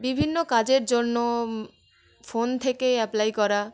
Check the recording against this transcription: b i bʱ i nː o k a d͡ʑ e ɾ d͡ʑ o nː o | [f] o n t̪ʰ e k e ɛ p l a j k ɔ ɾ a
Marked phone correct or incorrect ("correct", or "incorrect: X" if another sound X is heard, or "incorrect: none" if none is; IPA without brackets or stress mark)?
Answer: correct